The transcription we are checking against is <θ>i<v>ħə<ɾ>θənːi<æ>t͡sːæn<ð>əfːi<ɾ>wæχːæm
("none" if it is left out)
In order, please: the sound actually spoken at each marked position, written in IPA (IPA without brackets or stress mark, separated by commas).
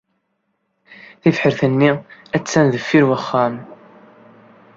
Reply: θ, f, ɾ, æ, ð, ɾ